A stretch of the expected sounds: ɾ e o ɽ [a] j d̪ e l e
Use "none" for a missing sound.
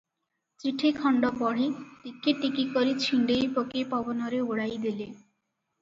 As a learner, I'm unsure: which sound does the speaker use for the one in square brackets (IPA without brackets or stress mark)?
a